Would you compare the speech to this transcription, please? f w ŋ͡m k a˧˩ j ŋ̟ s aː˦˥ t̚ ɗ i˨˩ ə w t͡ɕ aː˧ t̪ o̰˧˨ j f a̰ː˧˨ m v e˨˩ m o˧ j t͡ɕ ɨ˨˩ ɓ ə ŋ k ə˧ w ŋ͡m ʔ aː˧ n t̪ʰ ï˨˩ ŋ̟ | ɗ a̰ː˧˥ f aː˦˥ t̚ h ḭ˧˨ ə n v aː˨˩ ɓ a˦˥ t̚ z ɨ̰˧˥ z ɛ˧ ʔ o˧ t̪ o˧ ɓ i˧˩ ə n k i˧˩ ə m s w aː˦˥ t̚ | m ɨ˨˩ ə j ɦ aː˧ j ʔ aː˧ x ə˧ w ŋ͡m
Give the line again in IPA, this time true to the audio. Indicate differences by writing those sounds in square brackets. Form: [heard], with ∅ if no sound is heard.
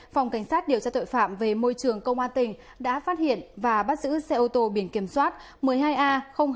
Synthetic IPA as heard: f w ŋ͡m k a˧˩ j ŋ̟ s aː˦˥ t̚ ɗ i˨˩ ə w t͡ɕ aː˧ t̪ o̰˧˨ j f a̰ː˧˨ m v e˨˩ m o˧ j t͡ɕ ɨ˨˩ [∅] ə ŋ k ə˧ w ŋ͡m ʔ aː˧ n [t̪] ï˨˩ ŋ̟ | ɗ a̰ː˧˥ f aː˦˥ t̚ h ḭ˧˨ ə n v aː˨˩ ɓ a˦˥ t̚ z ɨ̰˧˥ [s] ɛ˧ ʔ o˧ t̪ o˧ ɓ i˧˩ ə n k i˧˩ ə m s w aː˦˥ t̚ | m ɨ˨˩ ə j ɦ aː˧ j ʔ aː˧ x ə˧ w ŋ͡m